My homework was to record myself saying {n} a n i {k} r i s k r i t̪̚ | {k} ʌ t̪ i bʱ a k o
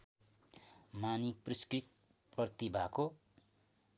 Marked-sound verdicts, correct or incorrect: incorrect, incorrect, incorrect

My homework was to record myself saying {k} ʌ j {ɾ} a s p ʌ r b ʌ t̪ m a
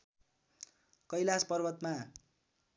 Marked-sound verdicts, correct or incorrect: correct, incorrect

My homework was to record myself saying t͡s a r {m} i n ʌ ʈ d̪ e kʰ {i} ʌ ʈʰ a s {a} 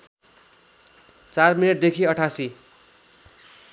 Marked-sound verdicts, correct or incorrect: correct, correct, incorrect

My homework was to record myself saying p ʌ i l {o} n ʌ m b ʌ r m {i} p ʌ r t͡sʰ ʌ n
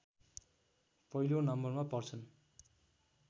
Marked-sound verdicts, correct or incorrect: correct, incorrect

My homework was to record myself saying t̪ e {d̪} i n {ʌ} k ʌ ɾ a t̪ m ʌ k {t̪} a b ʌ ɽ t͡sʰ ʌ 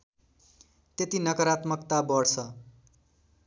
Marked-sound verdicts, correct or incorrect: incorrect, correct, correct

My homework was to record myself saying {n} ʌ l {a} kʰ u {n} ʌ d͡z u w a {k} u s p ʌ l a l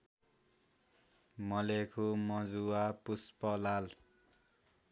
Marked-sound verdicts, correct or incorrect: incorrect, incorrect, incorrect, incorrect

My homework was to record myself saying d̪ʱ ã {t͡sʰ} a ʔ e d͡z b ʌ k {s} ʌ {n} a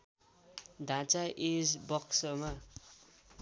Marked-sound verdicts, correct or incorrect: incorrect, correct, incorrect

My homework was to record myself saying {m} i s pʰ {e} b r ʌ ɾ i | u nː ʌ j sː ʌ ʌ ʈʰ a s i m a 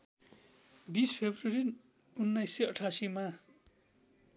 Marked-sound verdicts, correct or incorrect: incorrect, correct

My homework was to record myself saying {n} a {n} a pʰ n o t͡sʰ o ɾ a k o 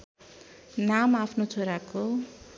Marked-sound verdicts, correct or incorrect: correct, incorrect

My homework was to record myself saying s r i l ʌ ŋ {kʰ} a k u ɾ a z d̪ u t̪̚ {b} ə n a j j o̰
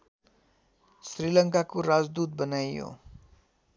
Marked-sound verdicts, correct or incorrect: incorrect, correct

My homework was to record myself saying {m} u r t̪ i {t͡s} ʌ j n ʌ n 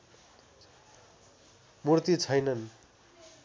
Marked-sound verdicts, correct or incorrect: correct, incorrect

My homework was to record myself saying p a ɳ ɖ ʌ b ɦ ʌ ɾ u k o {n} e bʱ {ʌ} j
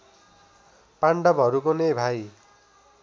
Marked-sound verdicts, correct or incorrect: correct, incorrect

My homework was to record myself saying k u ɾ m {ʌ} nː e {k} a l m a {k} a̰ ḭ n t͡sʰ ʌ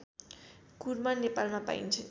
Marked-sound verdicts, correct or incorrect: incorrect, incorrect, incorrect

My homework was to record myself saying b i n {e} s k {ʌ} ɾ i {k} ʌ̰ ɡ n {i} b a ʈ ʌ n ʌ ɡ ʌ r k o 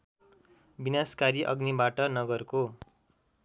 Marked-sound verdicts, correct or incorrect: incorrect, incorrect, incorrect, correct

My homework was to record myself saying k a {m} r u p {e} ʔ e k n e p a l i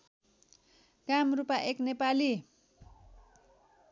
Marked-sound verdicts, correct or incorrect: correct, incorrect

